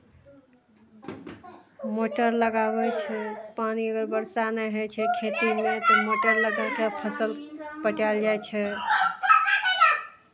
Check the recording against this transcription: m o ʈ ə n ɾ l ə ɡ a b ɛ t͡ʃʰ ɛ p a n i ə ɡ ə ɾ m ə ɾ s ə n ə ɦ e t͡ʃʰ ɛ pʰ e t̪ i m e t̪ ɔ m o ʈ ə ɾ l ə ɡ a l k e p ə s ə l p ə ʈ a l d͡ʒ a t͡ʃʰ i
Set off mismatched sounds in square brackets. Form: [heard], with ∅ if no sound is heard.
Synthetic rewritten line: m o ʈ ə [∅] ɾ l ə ɡ a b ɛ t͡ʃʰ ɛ p a n i ə ɡ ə ɾ [b] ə ɾ s [a] n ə ɦ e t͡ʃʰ ɛ [kʰ] e t̪ i m e t̪ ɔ m o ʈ ə ɾ l ə ɡ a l k e [pʰ] ə s ə l p ə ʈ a l d͡ʒ a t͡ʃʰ [ɛ]